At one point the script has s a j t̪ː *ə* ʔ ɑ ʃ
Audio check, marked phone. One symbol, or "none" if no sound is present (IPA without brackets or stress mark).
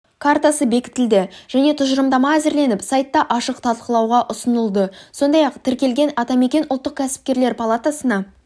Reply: ɑ